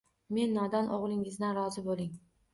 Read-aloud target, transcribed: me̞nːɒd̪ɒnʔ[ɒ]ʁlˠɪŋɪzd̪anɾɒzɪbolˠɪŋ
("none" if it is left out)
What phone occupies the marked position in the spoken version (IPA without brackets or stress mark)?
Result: o